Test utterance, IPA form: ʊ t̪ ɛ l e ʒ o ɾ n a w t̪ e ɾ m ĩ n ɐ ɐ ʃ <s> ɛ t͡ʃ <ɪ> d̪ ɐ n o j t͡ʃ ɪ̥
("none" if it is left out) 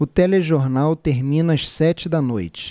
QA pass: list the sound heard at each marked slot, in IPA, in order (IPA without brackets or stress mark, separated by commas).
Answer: s, ɪ